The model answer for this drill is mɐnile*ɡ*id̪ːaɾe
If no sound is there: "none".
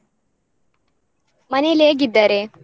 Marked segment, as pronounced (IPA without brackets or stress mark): ɡ